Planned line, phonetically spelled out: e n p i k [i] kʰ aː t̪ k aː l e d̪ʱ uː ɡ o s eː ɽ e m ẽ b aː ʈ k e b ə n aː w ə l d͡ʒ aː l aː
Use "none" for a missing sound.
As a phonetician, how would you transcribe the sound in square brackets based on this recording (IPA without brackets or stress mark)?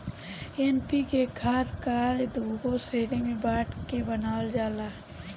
e